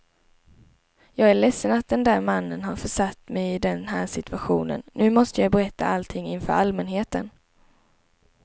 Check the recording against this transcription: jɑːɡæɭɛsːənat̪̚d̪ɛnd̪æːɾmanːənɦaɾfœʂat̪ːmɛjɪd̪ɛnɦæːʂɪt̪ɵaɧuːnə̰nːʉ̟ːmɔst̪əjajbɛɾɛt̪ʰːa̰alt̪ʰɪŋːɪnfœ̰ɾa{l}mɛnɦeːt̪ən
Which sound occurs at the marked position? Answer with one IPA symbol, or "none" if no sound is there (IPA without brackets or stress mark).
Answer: l